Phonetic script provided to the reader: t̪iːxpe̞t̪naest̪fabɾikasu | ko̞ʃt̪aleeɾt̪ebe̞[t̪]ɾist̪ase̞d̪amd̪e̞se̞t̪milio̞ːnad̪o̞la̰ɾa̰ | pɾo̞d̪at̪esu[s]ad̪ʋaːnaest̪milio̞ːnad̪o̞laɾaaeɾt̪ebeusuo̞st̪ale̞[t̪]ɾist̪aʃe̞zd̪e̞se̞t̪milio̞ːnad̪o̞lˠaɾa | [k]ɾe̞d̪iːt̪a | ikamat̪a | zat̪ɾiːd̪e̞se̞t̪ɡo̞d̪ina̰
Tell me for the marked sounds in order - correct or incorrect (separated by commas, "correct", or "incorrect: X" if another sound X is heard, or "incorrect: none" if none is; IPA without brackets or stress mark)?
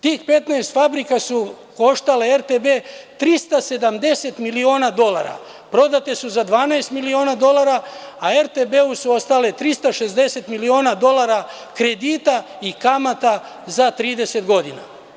correct, incorrect: z, correct, correct